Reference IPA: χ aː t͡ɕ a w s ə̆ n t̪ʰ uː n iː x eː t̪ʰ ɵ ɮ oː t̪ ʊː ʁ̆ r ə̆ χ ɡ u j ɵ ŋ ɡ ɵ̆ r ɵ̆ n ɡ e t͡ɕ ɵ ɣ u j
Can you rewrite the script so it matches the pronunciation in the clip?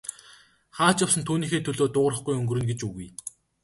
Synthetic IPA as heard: χ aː t͡ɕ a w s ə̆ n t̪ʰ uː n iː x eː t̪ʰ ɵ ɮ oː t̪ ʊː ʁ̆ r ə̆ χ ɡ u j ɵ ŋ ɡ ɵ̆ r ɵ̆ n ɡ e t͡ɕ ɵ ɣ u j